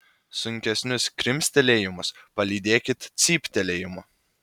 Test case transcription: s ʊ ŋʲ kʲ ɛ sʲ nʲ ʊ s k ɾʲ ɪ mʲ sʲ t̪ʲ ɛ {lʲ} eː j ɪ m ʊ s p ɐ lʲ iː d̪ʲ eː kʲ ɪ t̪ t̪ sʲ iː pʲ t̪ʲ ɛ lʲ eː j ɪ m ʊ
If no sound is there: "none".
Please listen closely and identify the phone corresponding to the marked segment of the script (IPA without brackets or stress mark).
lʲ